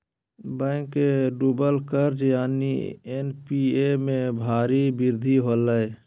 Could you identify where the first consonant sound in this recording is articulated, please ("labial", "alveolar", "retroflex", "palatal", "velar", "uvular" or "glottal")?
labial